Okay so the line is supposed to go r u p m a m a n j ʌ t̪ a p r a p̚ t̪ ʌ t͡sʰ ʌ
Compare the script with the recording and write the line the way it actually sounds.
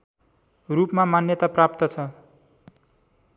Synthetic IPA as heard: r u p m a m a n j ʌ t̪ a p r a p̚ t̪ ʌ t͡sʰ ʌ

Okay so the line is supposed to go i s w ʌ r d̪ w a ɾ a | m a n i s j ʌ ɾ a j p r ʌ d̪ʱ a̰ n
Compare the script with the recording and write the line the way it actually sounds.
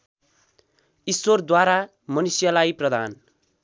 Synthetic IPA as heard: i s w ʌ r d̪ w a ɾ a | m ʌ n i s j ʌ l a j p r ʌ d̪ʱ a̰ n

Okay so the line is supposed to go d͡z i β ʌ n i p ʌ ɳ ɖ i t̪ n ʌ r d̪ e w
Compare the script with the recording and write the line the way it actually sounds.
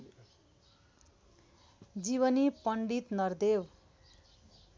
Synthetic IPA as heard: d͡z i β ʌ n i p ʌ ɳ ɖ i t̪ n ʌ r d̪ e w

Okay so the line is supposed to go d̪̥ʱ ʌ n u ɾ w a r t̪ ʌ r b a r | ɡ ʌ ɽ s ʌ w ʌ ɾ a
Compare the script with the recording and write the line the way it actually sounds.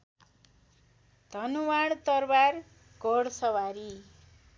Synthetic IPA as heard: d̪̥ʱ ʌ n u w a ɽ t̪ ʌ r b a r | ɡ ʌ ɽ s ʌ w a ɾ i

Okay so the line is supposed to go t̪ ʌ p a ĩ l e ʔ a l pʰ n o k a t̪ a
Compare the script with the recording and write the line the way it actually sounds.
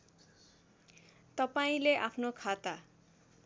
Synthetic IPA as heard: t̪ ʌ p a ĩ l e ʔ a pʰ n o kʰ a t̪ a

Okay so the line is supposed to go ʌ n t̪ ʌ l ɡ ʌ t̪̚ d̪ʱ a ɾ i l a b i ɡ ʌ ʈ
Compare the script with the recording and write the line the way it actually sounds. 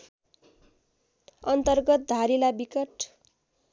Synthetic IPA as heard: ʌ n t̪ ʌ r ɡ ʌ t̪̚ d̪ʱ a ɾ i l a b i k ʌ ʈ

